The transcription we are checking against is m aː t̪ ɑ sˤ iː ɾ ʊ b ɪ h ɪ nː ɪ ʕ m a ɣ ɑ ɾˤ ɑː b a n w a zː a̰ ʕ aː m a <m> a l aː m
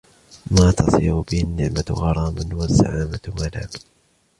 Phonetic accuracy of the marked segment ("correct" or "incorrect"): correct